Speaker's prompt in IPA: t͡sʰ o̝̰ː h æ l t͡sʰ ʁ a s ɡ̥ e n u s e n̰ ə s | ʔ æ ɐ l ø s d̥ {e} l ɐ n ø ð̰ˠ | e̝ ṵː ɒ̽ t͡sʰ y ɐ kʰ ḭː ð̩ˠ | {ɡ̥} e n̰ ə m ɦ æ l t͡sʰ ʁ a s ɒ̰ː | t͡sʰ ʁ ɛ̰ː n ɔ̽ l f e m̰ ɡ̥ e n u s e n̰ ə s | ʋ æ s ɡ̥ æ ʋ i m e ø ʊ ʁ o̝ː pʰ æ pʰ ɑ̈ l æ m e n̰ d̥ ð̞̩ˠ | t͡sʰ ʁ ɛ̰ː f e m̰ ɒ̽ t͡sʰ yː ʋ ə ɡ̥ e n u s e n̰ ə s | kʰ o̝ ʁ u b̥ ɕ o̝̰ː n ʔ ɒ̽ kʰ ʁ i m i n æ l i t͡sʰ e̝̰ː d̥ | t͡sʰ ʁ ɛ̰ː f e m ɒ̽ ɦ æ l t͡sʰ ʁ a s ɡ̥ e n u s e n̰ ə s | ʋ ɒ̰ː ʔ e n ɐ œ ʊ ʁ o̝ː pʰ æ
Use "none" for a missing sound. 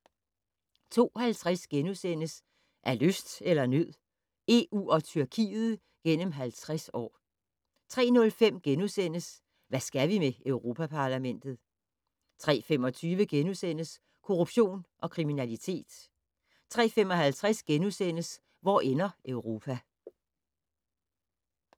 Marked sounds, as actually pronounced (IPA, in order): e, ɡ̥

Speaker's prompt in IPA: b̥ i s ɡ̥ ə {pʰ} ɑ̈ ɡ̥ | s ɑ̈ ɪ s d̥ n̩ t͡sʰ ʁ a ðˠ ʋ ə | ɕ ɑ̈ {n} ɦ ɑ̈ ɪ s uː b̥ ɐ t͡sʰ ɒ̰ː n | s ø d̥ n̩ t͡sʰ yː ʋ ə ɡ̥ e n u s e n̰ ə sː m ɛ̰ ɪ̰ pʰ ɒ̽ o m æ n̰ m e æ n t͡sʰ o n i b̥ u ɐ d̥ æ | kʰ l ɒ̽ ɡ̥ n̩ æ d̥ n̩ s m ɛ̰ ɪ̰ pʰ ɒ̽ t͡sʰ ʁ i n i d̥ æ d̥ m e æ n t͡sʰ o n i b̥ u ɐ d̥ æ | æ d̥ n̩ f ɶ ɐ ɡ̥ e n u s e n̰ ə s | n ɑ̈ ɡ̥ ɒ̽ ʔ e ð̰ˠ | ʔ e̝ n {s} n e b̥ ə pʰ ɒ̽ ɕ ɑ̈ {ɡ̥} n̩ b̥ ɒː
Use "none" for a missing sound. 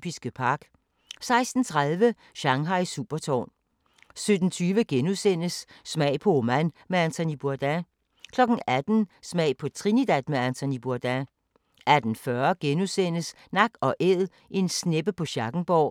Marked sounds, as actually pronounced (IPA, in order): pʰ, ŋ, s, ɡ̥

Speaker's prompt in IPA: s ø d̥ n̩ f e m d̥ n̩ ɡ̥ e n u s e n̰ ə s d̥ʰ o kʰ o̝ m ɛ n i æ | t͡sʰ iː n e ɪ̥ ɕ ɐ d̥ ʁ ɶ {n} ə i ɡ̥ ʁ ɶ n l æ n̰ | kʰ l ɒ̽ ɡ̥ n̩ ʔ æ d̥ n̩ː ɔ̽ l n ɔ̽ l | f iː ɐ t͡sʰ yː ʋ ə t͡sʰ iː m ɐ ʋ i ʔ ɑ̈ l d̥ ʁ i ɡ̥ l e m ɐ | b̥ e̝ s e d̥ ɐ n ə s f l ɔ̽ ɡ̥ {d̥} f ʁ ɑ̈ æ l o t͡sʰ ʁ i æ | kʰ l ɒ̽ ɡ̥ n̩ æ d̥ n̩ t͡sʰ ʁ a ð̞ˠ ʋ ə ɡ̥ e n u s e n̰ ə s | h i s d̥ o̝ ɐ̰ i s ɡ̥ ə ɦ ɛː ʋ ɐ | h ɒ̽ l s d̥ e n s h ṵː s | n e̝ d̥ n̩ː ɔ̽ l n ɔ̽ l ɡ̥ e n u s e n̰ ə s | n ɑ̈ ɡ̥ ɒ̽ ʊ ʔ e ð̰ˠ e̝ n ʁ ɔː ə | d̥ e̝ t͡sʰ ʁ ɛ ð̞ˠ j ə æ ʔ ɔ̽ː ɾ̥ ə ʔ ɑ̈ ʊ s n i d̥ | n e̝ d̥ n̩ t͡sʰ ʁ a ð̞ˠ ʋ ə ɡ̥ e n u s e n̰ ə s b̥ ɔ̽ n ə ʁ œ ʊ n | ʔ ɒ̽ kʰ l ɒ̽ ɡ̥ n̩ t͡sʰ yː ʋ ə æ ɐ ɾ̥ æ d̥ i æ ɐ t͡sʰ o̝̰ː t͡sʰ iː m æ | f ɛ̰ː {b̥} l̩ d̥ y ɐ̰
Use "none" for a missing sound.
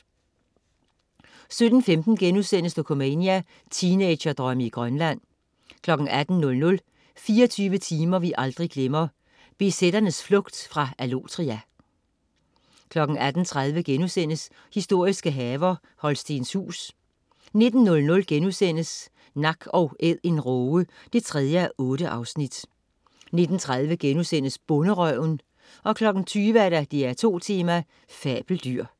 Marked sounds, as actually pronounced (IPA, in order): m, d̥, b̥

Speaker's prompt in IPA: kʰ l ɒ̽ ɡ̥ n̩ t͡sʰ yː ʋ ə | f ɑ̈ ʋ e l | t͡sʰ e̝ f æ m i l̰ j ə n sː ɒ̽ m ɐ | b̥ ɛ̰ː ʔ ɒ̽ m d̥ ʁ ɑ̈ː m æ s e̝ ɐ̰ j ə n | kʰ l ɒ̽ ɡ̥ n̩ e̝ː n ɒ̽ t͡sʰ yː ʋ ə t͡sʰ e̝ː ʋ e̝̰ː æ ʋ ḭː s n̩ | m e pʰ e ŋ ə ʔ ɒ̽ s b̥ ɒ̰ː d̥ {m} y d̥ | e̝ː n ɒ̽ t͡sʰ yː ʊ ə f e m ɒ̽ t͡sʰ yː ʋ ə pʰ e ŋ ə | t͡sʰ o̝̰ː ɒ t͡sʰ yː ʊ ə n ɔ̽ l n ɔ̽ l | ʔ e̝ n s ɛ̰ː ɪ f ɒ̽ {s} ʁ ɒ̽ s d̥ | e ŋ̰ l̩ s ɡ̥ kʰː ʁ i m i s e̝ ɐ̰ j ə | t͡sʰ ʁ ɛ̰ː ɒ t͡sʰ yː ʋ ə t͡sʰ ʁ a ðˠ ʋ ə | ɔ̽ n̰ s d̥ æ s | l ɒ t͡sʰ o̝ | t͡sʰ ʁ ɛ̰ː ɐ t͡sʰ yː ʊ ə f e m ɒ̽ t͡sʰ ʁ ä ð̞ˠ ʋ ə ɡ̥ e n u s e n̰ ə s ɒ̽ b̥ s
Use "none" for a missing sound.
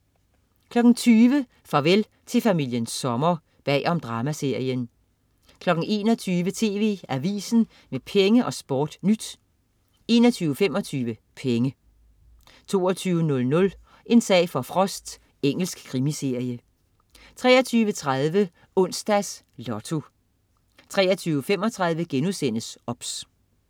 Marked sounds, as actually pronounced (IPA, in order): n, f

